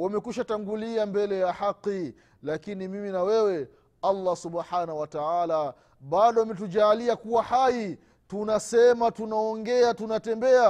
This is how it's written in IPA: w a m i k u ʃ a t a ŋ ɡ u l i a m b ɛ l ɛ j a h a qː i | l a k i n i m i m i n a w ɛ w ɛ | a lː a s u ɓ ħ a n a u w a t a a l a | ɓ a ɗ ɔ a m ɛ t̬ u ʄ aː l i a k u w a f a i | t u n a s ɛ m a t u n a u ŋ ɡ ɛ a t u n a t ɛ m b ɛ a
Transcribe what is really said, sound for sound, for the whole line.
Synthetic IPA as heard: w a m ɛ k u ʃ a t a ŋ ɡ u l i a m b ɛ l ɛ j a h a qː i | l a k i n i m i m i n a w ɛ w ɛ | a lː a s u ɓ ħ a n a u w a t a a l a | ɓ a ɗ ɔ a m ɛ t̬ u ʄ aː l i a k u w a h a i | t u n a s ɛ m a t u n a ɔ ŋ ɡ ɛ a t u n a t ɛ m b ɛ a